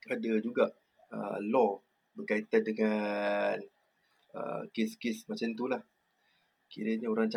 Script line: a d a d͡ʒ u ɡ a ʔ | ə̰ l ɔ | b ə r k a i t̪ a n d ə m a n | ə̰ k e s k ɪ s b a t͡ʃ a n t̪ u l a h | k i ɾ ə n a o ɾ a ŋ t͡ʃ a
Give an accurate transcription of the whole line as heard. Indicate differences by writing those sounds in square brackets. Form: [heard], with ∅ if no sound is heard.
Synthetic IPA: a d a d͡ʒ u ɡ a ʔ | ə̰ l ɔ | b ə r k a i t̪ a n d ə [ŋ] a n | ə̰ k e s k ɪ s [m] a t͡ʃ a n t̪ u l a h | k i ɾ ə [ɲ] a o ɾ a ŋ t͡ʃ a